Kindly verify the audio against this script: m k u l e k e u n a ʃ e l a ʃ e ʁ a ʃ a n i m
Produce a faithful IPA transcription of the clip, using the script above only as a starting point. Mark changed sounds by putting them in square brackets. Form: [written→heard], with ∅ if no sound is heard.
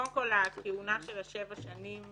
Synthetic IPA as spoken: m k [u→o] l [e→a] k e u n a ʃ e l a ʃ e [ʁ→v] a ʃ a n i m